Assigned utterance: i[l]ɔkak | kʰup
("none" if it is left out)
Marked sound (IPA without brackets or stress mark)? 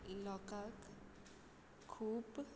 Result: l